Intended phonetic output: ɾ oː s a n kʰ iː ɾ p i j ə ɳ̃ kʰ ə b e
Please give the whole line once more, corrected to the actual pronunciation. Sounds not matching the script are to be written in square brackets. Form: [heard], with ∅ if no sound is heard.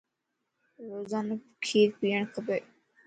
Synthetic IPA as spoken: ɾ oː [z] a n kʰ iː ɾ p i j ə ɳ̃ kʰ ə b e